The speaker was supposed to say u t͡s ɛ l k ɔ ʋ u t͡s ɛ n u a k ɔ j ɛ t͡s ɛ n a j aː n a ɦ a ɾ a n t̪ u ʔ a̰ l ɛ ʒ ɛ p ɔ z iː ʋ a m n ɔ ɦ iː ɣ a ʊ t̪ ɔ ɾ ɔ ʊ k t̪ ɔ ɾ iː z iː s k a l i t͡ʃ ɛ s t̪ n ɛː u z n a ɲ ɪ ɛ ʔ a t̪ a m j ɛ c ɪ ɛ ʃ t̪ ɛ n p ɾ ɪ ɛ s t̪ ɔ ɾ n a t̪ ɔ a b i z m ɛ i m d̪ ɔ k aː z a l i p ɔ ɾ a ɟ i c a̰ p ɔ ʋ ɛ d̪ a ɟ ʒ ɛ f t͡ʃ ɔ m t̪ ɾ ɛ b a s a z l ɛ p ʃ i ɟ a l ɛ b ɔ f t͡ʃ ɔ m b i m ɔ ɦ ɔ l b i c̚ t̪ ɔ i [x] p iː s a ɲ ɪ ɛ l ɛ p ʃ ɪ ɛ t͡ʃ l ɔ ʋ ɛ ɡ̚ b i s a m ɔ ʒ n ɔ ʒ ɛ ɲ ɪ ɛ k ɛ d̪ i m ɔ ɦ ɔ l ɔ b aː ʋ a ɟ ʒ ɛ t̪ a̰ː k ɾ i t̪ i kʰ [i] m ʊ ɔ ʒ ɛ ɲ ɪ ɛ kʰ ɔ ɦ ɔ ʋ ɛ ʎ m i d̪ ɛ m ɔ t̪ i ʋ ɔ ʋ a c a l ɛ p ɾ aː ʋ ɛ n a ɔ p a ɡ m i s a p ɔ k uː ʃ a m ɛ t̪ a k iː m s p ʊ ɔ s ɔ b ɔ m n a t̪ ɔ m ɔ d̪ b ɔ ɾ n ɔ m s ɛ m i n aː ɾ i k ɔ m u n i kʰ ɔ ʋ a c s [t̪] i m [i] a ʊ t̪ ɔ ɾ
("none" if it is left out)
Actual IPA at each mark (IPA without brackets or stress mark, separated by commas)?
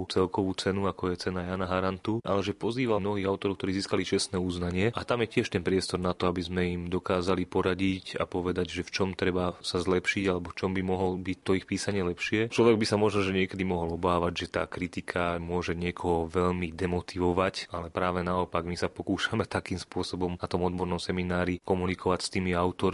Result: x, a, t̪, i